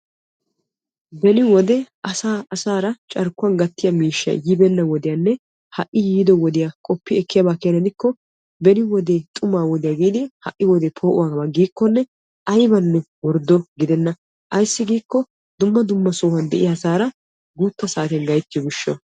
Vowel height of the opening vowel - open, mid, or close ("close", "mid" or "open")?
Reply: mid